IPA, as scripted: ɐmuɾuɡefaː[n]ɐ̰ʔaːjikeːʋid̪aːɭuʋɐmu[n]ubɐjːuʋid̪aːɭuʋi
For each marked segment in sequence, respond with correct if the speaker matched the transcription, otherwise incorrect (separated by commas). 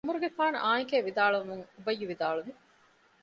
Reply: correct, incorrect